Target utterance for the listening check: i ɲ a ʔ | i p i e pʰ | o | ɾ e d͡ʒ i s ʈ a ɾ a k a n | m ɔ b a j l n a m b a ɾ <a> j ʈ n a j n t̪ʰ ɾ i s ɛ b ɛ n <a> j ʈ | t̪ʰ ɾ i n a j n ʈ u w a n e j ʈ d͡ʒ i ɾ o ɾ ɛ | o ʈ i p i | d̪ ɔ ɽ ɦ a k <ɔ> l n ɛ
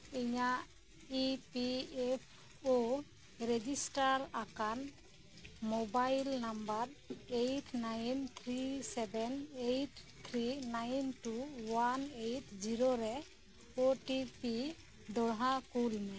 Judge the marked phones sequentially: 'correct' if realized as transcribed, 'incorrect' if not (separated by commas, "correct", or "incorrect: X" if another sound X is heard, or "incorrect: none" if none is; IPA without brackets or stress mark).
incorrect: e, incorrect: e, incorrect: u